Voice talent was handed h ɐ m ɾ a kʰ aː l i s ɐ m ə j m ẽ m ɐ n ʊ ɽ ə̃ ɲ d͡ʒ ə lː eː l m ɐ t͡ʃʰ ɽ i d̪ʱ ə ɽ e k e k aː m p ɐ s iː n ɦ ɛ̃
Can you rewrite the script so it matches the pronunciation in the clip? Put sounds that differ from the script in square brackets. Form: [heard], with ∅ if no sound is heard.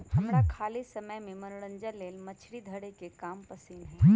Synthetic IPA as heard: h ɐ m ɾ a kʰ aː l i s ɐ m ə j m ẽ m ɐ n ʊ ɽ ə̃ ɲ d͡ʒ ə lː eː l m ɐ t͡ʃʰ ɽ i d̪ʱ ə ɽ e k e k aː m p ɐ s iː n ɦ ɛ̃